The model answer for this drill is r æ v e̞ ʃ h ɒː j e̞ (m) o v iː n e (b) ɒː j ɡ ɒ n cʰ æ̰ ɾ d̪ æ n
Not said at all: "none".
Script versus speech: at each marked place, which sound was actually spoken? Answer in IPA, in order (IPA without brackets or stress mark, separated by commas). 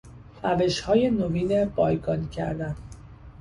n, b